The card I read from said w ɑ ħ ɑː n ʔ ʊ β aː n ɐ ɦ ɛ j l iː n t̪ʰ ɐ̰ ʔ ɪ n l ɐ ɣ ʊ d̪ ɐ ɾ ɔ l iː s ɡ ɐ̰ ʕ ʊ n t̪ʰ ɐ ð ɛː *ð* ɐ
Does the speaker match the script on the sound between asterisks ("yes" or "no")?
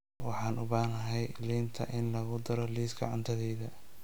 yes